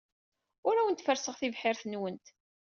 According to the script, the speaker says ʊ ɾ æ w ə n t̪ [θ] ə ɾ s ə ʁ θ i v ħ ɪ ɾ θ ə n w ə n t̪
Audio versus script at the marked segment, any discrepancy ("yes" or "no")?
yes